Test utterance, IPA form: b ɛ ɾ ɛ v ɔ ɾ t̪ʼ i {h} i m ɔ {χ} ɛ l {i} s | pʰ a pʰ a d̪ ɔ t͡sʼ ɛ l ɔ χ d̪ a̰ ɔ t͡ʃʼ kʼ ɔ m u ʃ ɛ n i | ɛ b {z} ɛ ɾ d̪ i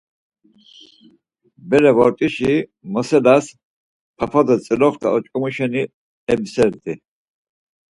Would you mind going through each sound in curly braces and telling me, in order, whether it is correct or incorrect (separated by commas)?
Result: incorrect, incorrect, incorrect, incorrect